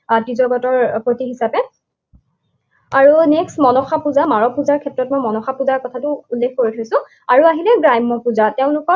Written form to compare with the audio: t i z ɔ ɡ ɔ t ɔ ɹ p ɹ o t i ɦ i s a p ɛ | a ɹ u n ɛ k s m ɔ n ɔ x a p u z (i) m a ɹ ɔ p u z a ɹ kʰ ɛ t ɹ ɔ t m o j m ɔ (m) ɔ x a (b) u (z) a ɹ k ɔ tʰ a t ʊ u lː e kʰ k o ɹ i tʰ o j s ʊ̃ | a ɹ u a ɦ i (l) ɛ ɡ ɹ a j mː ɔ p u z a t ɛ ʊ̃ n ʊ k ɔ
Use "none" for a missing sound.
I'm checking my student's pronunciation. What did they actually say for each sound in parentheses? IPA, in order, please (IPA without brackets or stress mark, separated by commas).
a, n, p, z, l